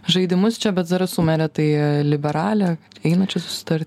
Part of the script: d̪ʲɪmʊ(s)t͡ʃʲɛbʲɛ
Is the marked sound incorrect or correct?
correct